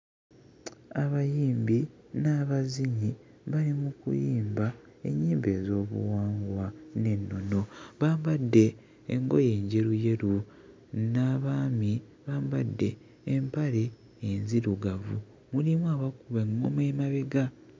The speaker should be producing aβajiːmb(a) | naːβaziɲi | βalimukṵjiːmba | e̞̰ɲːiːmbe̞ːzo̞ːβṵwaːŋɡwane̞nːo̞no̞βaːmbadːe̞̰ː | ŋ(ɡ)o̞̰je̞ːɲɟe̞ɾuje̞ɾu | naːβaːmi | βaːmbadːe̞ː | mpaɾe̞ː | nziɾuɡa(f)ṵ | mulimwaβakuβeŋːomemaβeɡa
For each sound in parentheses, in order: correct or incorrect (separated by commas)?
incorrect, correct, incorrect